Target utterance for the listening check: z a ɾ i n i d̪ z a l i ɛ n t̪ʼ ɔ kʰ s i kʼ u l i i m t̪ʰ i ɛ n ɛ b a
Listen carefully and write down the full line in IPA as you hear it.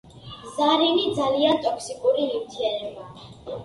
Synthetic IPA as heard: z a ɾ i n i d̪ z a l i a n t̪ʼ ɔ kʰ s i kʼ u ɾ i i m t̪ʰ i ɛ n ɛ b a